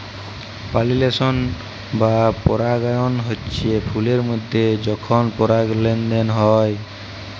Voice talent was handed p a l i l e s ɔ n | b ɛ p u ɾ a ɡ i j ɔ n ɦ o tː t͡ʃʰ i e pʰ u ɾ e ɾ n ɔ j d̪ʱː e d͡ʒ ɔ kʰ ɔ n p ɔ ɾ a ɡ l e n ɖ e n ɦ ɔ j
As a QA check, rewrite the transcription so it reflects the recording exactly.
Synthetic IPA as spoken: p a l i l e s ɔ n | b a p ɔ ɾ a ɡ a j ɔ n ɦ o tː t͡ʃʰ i e pʰ u l e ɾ m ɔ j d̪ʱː e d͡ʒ ɔ kʰ ɔ n p ɔ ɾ a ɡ l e n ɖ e n ɦ ɔ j